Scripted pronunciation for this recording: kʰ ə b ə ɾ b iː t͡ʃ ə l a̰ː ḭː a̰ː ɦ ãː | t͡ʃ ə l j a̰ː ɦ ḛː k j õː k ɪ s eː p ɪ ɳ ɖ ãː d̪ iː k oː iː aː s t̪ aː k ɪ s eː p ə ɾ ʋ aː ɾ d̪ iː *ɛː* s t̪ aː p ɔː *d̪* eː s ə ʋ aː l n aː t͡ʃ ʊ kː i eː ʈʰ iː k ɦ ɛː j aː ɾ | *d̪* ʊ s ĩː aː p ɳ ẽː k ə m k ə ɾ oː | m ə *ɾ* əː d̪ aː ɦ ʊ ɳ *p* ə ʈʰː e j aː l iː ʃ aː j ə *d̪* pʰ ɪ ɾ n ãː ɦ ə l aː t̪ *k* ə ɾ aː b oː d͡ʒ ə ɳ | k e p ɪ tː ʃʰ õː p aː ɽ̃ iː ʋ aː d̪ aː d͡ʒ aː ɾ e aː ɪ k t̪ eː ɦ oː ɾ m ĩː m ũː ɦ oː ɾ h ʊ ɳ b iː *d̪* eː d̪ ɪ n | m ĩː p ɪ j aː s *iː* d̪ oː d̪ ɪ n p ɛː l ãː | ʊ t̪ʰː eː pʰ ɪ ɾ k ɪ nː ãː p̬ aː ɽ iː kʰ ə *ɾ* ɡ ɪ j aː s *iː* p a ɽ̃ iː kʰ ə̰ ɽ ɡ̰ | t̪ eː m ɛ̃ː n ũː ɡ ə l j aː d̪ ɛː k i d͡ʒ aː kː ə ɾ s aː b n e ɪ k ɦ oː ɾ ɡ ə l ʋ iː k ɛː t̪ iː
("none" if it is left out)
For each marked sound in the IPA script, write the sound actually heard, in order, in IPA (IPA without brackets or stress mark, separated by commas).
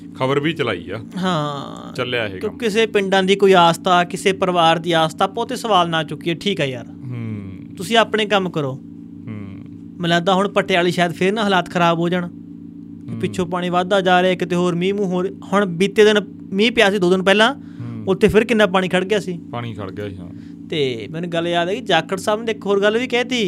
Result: aː, t̪, t̪, l, p, d̪, kʰ, t̪, iː, ɽ, iː